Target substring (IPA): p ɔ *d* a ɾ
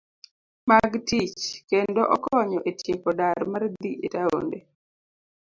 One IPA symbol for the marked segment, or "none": d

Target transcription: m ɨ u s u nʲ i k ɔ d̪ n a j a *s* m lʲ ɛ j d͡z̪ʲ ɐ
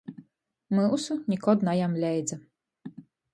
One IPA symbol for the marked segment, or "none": none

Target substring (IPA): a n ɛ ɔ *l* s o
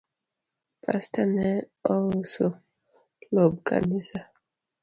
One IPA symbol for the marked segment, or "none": l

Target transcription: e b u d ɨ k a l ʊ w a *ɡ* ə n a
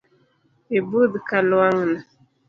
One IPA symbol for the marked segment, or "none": ŋ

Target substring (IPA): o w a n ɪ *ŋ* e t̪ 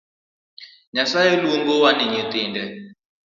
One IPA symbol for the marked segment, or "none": ɲ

